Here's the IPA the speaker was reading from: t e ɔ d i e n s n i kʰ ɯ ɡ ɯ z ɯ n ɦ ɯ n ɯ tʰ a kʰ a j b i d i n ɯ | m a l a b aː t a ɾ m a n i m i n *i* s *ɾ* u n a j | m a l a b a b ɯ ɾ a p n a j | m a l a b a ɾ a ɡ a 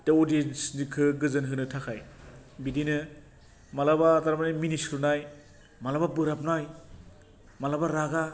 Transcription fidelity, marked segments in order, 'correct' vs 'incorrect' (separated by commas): correct, correct